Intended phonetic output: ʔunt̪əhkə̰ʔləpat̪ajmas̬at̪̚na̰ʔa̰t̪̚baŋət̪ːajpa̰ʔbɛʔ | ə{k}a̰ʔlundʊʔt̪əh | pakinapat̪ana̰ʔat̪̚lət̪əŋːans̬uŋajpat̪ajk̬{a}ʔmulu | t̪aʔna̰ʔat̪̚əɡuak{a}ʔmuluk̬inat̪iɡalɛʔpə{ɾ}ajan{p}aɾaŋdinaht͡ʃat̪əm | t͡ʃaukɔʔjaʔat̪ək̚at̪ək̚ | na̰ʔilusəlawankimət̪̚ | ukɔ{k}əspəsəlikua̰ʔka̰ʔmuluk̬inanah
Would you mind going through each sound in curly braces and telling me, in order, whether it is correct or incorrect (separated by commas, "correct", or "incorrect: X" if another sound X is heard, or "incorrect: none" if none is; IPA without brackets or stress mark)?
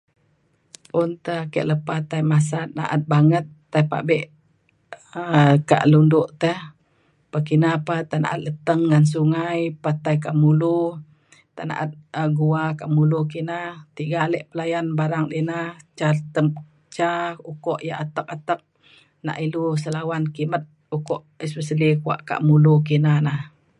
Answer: correct, correct, correct, incorrect: l, incorrect: b, incorrect: ʔ